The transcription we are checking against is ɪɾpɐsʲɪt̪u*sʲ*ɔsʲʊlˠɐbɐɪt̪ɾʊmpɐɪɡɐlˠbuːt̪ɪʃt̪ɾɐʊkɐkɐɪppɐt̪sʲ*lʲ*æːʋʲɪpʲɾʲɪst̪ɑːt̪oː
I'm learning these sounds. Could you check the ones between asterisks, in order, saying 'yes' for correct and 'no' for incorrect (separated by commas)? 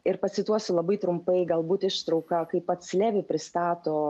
no, yes